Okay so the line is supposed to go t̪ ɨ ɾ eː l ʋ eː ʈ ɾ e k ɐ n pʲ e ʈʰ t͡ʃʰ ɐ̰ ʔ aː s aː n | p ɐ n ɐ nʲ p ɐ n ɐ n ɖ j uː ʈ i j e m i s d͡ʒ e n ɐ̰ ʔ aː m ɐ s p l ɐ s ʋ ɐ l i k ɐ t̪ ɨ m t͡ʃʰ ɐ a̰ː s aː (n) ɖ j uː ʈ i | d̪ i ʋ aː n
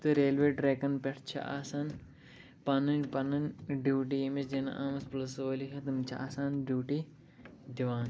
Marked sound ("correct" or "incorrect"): correct